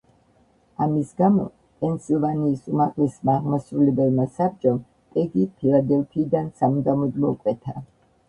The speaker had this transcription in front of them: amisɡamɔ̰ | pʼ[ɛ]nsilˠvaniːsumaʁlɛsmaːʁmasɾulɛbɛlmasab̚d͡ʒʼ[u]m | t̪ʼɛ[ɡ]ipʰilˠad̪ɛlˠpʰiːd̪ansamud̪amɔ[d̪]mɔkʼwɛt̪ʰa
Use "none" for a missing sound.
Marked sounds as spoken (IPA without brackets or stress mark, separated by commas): ɛ, ɔ, ɡ, d̪